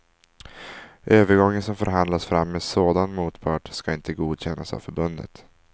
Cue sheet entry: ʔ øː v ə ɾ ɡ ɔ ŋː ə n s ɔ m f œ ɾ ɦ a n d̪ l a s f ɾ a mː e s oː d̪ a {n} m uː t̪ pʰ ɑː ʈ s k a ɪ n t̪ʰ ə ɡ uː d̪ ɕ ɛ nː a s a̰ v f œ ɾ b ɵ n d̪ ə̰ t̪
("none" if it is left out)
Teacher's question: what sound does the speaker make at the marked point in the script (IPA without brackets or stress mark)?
n